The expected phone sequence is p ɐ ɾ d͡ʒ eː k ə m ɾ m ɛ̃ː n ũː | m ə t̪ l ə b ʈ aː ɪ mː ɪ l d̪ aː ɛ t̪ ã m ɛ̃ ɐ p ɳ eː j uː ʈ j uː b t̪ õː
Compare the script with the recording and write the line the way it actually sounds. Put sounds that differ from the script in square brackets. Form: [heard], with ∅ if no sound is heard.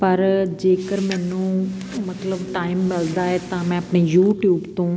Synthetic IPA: p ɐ ɾ d͡ʒ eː k ə [∅] ɾ m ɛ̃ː n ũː | m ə t̪ l ə b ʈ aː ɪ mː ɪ l d̪ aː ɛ t̪ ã m ɛ̃ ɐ p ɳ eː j uː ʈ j uː b t̪ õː